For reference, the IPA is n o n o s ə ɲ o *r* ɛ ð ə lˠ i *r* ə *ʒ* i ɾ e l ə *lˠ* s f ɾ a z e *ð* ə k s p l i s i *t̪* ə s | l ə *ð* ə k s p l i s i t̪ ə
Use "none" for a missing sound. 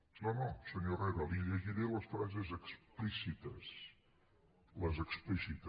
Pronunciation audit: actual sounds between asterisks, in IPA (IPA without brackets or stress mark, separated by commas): r, ʎ, ʒ, none, z, t̪, z